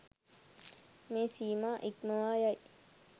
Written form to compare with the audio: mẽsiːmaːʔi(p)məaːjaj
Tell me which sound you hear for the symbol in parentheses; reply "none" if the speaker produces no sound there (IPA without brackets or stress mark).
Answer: k